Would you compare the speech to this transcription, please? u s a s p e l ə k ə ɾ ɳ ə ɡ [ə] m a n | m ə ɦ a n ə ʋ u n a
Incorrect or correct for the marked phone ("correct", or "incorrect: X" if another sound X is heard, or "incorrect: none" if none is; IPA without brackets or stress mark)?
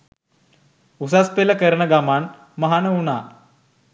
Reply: incorrect: a